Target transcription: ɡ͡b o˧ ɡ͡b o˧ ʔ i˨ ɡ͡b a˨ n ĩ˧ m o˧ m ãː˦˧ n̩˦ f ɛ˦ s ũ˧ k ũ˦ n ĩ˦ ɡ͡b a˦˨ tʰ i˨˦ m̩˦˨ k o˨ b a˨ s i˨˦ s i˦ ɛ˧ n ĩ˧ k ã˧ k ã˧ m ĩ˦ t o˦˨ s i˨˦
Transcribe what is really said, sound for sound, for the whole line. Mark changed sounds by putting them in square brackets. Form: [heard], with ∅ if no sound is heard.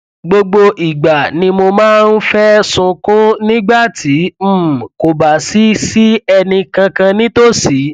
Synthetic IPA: ɡ͡b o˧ ɡ͡b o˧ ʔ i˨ ɡ͡b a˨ n ĩ˧ m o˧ m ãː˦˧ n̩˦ f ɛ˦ s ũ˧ k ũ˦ n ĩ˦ ɡ͡b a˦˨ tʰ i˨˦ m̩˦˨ k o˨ b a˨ s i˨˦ s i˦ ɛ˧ n ĩ˧ k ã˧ k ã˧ [n] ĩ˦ t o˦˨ s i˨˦